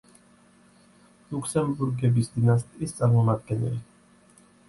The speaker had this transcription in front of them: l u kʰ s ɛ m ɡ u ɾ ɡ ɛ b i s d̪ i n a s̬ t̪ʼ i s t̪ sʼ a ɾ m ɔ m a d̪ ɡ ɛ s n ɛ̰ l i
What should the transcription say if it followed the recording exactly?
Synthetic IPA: l u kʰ s ɛ m b u ɾ ɡ ɛ b i s d̪ i n a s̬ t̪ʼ i s t̪ sʼ a ɾ m ɔ m a d̪ ɡ ɛ n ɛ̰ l i